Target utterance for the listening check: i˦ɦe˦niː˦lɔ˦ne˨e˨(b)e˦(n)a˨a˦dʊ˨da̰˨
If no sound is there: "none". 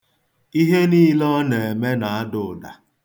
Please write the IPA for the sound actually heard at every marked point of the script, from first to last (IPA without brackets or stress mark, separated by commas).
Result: m, n